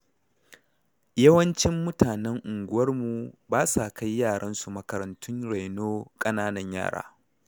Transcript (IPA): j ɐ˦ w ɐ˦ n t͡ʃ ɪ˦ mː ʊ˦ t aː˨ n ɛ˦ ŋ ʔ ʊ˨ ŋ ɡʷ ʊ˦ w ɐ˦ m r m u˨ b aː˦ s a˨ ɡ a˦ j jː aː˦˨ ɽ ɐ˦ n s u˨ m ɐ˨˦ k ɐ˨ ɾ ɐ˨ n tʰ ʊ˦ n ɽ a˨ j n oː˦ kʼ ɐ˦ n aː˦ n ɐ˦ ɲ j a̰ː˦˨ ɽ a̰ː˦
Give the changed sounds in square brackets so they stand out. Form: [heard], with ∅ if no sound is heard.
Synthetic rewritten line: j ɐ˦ w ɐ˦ n t͡ʃ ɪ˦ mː ʊ˦ t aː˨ n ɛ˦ ŋ ʔ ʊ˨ ŋ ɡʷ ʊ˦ w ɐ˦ [∅] r m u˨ b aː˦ s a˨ [k] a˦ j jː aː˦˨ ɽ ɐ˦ n s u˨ m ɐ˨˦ k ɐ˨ ɾ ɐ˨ n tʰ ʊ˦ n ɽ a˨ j n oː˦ kʼ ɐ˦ n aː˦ n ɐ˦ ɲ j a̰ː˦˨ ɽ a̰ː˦

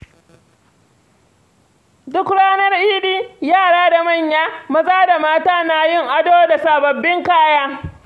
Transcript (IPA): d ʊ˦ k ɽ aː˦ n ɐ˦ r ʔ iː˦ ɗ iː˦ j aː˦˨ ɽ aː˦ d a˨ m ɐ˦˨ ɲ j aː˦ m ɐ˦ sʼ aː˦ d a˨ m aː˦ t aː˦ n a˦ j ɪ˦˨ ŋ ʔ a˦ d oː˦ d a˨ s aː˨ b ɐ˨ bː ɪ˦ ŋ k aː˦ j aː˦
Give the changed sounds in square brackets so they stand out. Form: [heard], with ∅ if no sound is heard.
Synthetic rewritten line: d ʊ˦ k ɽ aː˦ n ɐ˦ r ʔ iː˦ ɗ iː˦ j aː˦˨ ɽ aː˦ d a˨ m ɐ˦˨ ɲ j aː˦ m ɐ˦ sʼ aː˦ d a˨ m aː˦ t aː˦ n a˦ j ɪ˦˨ ŋ ʔ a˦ d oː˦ d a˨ s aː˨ b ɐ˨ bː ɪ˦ ŋ k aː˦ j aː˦

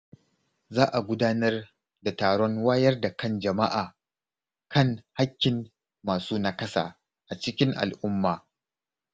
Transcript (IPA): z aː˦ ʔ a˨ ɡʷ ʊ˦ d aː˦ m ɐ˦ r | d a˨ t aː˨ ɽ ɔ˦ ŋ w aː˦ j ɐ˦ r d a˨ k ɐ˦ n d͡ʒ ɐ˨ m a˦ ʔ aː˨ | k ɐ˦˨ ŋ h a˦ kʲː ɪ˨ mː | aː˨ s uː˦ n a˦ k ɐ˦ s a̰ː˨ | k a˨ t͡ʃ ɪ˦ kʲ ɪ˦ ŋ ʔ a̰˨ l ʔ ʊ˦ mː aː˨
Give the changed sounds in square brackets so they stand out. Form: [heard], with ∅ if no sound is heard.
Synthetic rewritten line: z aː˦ ʔ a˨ ɡʷ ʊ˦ d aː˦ [n] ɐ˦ r | d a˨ t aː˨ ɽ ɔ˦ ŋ w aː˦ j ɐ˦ r d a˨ k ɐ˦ n d͡ʒ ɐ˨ m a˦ ʔ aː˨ | k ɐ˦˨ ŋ h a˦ kʲː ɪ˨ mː | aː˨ s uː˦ n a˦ k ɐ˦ s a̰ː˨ | [ʔ] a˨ t͡ʃ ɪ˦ kʲ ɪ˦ ŋ ʔ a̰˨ l ʔ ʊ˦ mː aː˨

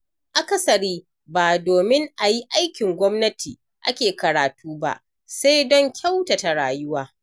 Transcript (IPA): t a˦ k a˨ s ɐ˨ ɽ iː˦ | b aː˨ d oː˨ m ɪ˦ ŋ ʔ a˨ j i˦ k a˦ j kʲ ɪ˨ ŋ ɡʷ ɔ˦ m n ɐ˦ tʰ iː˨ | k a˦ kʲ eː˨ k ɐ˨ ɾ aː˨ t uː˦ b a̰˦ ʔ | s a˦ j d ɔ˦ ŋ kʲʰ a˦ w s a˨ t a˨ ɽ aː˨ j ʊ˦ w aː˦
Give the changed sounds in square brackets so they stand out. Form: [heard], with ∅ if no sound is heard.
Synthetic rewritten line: [ʔ] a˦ k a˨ s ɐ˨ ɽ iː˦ | b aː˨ d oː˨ m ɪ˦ ŋ ʔ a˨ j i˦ [ʔ] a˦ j kʲ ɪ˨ ŋ ɡʷ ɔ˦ m n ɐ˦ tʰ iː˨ | [ʔ] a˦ kʲ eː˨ k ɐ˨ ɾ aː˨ t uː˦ b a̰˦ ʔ | s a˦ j d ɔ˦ ŋ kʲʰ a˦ w [t] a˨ t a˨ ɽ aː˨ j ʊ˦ w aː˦

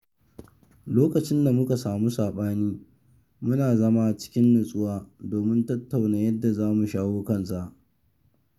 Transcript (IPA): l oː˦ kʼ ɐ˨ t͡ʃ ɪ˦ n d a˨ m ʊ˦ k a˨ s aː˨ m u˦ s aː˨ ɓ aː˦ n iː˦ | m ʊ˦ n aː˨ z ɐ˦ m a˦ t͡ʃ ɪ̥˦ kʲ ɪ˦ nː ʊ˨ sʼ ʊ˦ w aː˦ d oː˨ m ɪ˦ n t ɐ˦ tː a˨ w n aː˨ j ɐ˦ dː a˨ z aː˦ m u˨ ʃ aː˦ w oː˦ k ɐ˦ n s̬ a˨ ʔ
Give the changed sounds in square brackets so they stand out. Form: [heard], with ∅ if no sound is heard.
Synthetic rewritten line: l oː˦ [k] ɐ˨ t͡ʃ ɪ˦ n d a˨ m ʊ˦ k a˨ s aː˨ m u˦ s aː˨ ɓ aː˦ n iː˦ | m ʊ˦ n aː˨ z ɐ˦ m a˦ t͡ʃ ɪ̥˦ kʲ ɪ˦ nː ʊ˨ sʼ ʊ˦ w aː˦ d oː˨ m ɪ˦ n t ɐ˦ tː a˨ w n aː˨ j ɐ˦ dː a˨ z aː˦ m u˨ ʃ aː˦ w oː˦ k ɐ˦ n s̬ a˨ ʔ

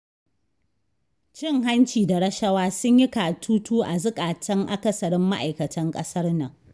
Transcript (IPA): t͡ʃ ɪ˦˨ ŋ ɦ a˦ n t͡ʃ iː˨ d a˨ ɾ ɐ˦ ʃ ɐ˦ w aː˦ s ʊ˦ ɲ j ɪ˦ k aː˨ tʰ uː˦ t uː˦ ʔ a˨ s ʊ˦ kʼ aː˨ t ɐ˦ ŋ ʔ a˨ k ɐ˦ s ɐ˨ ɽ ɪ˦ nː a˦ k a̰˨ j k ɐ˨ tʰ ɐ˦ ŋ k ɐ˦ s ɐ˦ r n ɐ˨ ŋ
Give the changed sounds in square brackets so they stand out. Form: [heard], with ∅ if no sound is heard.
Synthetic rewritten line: t͡ʃ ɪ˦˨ ŋ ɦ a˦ n t͡ʃ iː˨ d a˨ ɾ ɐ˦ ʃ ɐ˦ w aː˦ s ʊ˦ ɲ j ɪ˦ k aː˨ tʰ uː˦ t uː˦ ʔ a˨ [z] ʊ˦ kʼ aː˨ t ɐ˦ ŋ ʔ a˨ k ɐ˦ s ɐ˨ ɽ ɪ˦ [mː] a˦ [ʔ] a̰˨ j k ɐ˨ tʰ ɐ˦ ŋ [kʼ] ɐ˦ s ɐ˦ r n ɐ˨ ŋ

